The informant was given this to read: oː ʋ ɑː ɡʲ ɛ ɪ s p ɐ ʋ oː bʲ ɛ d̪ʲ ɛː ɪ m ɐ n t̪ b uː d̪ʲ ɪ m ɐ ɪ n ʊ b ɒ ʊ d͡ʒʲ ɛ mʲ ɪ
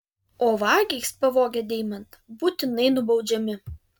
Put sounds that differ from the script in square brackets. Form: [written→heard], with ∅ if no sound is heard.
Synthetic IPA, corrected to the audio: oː ʋ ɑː ɡʲ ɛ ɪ s p ɐ ʋ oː [bʲ→ɡʲ] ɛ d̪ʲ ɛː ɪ m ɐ n t̪ b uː [d̪ʲ→t̪ʲ] ɪ [m→n] ɐ ɪ n ʊ b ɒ ʊ d͡ʒʲ ɛ mʲ ɪ